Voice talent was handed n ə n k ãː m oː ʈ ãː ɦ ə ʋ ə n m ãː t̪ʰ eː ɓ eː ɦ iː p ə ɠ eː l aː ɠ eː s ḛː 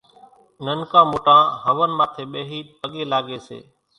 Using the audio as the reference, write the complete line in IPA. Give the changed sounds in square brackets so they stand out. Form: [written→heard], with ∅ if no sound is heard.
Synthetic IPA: n ə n k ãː m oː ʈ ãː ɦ ə ʋ ə n m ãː t̪ʰ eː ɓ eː ɦ iː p ə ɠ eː l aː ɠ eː s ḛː